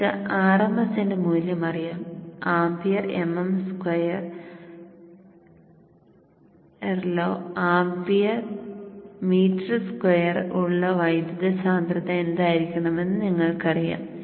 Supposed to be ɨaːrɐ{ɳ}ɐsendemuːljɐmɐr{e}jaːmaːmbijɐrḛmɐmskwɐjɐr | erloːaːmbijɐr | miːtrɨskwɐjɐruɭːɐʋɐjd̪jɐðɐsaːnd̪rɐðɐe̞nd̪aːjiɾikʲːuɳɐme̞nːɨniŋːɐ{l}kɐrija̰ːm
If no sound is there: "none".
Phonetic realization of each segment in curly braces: m, i, ɭ

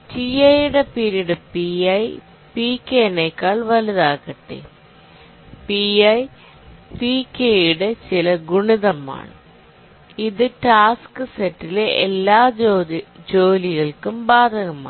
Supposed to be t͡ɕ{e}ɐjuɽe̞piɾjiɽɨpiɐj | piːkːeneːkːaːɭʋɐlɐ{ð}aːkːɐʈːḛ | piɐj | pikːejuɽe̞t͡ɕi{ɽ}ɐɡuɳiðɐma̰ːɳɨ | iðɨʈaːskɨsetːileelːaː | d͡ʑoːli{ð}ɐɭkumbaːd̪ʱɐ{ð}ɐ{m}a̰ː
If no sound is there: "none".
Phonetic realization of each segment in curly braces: i, ð, l, ɣ, ɣ, m

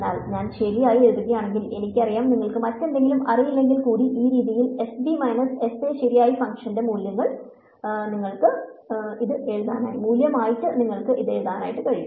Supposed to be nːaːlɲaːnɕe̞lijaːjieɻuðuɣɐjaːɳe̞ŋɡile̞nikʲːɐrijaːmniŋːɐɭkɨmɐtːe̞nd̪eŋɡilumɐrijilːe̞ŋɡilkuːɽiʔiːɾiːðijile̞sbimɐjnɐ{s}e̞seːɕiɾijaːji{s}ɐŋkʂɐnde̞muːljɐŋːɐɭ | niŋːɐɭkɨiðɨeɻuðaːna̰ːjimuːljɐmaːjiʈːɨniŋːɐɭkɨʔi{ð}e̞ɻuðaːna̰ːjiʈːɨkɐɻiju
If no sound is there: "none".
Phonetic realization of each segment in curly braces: s, f, ð

